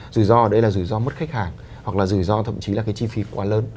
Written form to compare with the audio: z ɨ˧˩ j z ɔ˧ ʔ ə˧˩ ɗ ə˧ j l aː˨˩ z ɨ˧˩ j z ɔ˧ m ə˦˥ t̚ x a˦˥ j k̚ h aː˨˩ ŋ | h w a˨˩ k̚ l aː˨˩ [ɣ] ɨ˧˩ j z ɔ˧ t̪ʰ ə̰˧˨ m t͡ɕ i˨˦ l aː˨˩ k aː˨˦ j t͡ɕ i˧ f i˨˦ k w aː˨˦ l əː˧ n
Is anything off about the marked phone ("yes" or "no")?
yes